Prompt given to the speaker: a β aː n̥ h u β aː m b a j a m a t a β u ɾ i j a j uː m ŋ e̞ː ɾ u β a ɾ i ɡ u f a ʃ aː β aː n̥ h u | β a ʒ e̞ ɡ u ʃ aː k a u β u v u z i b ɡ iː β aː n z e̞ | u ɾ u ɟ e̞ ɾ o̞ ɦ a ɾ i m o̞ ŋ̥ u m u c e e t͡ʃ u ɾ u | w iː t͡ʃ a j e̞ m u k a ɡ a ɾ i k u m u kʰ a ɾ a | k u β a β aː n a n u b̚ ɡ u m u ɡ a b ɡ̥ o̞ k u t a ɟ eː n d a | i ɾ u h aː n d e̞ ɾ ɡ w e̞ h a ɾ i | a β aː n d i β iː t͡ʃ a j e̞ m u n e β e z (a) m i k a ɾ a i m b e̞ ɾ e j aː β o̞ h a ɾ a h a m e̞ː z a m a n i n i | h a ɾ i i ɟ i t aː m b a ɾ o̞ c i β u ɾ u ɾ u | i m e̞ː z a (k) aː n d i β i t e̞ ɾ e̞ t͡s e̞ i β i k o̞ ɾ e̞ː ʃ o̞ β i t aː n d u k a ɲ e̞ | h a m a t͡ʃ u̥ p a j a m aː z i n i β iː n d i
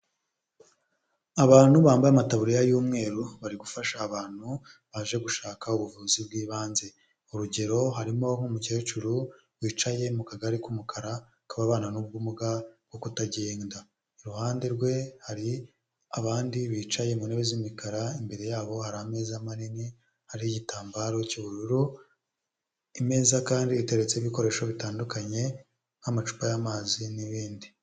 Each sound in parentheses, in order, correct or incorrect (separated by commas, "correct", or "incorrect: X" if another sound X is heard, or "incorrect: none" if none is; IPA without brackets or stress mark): incorrect: i, correct